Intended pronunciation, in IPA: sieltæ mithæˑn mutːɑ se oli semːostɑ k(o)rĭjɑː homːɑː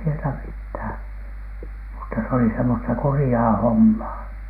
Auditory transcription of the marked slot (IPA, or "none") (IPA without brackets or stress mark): u